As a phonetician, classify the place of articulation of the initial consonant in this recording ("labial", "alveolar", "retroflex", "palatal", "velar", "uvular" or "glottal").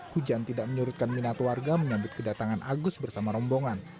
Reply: glottal